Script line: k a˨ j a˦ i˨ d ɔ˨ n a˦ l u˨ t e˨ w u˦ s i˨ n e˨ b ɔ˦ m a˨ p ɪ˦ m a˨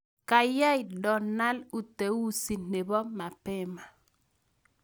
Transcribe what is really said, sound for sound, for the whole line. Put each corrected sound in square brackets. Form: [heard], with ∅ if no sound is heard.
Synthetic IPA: k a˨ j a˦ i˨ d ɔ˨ n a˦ l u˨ t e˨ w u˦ s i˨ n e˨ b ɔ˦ m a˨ p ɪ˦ m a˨